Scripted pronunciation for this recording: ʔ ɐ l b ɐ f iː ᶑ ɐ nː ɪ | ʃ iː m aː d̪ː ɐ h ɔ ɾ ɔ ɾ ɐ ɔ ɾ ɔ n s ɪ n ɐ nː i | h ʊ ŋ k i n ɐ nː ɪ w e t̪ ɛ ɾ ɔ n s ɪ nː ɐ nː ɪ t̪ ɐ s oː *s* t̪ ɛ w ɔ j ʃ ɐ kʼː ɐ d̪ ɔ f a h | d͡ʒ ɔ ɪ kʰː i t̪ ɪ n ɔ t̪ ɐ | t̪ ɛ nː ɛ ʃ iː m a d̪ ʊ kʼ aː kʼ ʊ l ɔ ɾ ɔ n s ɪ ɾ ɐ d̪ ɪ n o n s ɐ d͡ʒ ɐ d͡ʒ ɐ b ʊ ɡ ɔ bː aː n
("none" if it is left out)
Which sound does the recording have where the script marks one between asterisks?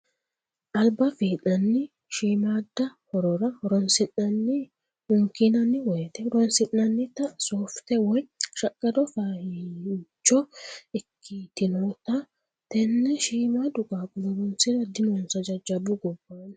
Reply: f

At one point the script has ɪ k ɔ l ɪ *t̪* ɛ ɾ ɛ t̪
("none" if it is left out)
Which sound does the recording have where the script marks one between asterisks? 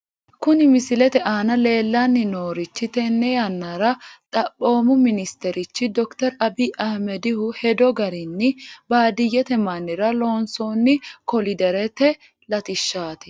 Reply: d̪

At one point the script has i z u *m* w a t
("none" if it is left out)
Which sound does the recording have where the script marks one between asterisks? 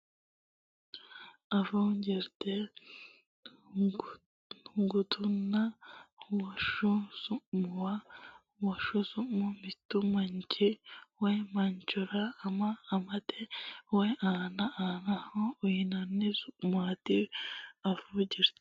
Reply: m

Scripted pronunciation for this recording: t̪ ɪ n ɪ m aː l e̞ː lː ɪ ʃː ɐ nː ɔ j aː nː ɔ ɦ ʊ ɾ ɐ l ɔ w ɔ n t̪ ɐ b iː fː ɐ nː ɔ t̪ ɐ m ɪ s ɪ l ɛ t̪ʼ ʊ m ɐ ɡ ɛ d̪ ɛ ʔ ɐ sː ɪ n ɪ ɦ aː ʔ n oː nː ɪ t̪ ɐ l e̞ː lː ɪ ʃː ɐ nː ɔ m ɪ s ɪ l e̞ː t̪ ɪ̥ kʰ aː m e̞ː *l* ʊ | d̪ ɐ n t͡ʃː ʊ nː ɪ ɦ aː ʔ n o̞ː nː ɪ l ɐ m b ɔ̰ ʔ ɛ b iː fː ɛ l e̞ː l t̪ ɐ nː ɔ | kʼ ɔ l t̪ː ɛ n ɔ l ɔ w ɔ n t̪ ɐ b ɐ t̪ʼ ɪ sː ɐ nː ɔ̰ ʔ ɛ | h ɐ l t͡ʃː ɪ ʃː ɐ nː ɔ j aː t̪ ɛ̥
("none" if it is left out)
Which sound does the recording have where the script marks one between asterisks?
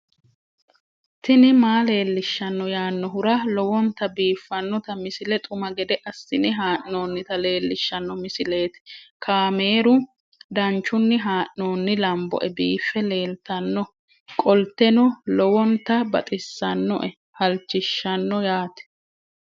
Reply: ɾ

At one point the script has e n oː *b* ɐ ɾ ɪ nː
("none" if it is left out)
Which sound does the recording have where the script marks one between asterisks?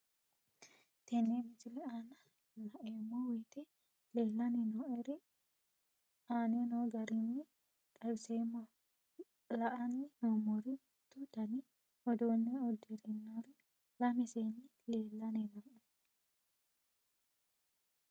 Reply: ɡ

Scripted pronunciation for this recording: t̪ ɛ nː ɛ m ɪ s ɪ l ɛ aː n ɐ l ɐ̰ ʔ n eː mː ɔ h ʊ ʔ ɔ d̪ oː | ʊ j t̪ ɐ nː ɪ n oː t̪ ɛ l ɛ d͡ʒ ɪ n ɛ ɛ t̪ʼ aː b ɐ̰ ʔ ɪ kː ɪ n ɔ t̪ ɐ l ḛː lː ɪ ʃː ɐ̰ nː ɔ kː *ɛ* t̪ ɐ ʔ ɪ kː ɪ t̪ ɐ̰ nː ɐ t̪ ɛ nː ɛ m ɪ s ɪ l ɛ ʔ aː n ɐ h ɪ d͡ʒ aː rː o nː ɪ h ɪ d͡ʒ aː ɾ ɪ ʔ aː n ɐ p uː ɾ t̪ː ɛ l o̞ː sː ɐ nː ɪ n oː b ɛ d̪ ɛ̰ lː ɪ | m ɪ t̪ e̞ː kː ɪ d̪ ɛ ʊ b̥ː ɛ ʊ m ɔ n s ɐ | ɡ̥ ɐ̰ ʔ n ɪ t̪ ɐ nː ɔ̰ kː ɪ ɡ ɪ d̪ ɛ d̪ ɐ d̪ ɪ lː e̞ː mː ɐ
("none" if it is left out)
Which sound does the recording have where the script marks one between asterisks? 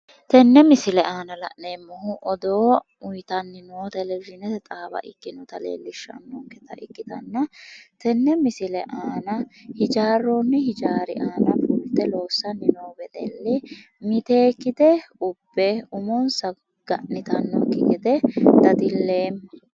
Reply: ɛ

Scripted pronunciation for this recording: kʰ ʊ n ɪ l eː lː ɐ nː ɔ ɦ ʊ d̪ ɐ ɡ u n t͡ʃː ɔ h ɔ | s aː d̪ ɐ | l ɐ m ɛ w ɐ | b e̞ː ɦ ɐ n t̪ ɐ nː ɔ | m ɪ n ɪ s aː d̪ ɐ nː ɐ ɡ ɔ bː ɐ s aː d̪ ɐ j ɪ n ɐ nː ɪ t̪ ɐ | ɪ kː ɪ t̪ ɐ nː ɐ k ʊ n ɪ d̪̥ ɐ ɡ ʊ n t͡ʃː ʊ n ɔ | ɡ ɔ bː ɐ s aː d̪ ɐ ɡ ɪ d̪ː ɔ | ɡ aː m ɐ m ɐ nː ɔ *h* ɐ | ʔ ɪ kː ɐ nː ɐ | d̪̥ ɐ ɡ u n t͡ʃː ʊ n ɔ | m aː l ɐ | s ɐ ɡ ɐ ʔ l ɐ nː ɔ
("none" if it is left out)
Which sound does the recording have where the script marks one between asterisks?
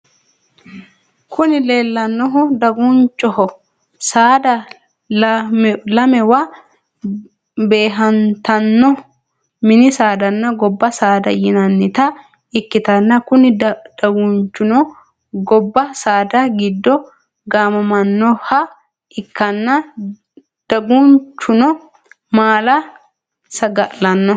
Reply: h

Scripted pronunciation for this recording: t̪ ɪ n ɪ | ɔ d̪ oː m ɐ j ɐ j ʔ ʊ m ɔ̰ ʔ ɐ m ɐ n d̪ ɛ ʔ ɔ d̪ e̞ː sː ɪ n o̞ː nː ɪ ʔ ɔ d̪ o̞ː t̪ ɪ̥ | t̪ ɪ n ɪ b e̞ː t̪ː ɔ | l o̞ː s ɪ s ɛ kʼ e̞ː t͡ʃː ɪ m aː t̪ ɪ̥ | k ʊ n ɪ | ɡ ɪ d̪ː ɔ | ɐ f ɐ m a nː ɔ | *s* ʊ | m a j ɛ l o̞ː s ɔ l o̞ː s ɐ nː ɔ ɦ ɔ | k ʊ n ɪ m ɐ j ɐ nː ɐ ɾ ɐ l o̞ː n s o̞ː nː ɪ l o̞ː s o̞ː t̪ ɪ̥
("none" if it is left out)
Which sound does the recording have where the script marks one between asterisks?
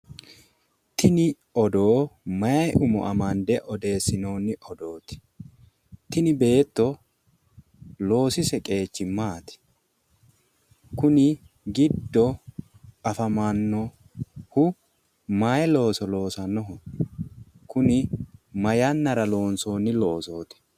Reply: h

